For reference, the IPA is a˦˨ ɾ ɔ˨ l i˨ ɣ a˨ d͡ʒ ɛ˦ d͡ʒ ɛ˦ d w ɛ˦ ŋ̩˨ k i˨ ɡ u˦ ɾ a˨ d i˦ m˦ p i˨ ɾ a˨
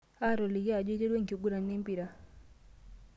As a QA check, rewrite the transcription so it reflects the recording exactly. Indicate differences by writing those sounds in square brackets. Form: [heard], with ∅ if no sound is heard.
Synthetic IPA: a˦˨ ɾ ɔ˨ l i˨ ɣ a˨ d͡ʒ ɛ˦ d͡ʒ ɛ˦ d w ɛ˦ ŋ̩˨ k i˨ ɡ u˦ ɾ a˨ [n] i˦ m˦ p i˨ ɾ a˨